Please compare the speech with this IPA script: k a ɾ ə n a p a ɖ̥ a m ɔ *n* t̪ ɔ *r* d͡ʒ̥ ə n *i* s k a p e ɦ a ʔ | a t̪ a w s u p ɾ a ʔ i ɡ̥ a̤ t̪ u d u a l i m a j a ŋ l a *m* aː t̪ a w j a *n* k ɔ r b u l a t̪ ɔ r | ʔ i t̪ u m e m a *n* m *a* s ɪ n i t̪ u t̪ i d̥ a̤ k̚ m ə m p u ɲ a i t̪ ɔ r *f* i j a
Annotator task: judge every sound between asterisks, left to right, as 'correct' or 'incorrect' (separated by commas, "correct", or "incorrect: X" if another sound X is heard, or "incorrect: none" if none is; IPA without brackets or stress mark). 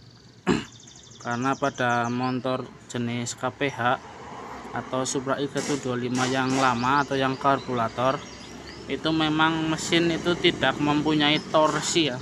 correct, correct, incorrect: ɪ, correct, incorrect: ŋ, incorrect: ŋ, incorrect: ə, incorrect: s